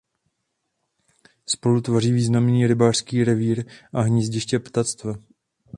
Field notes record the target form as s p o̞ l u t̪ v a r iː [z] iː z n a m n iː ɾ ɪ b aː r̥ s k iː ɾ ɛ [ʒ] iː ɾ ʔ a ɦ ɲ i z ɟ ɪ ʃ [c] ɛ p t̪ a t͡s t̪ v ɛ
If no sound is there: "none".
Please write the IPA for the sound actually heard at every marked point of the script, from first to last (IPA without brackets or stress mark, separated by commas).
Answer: v, v, c